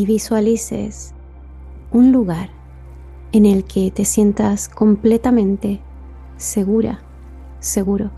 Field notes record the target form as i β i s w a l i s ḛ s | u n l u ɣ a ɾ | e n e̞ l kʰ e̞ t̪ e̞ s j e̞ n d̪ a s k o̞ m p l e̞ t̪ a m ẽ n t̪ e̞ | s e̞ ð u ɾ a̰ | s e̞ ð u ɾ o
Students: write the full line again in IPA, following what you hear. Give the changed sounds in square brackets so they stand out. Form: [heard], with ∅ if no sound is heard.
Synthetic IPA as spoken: i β i s w a l i s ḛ s | u n l u ɣ a ɾ | e n e̞ l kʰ e̞ t̪ e̞ s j e̞ n [t̪] a s k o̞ m p l e̞ t̪ a m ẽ n t̪ e̞ | s e̞ [ɣ] u ɾ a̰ | s e̞ [ɣ] u ɾ o